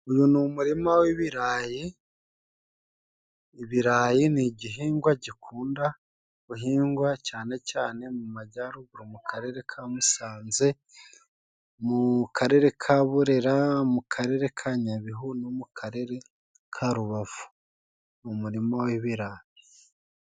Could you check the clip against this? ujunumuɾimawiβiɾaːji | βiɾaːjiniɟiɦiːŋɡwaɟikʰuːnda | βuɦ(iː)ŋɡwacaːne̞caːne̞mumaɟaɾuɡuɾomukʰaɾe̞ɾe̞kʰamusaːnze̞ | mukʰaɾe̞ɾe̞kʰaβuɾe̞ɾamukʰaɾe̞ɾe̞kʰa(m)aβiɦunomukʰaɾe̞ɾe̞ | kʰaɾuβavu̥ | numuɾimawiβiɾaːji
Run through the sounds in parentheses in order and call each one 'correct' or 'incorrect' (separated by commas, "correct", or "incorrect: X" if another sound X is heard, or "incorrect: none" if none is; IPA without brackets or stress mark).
correct, incorrect: ɲ